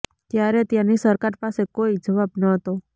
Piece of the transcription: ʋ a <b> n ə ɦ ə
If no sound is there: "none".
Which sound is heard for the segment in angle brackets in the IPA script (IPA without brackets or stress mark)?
b